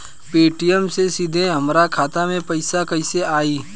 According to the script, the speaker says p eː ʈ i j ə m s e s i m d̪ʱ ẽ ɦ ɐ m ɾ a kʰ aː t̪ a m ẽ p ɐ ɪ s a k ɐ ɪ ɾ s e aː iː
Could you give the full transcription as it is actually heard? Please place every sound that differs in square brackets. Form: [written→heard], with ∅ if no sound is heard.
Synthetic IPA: p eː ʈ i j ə m s e s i [m→∅] d̪ʱ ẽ ɦ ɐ m ɾ a kʰ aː t̪ a m ẽ p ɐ ɪ s a k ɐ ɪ [ɾ→∅] s e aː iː